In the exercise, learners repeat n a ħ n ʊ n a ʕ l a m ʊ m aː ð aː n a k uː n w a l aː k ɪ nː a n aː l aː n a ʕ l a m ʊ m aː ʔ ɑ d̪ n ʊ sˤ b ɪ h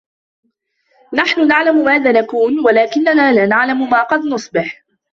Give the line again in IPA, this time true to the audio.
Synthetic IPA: n a ħ n ʊ n a ʕ l a m ʊ m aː ð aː n a k uː n w a l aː k ɪ nː a n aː l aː n a ʕ l a m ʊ m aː q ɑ d̪ n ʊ sˤ b ɪ ħ